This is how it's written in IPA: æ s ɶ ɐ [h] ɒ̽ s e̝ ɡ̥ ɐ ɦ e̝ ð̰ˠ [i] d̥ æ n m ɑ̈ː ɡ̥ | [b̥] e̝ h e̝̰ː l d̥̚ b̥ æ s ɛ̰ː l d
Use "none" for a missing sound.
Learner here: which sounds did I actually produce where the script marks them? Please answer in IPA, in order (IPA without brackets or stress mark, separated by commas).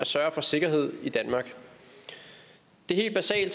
f, i, d̥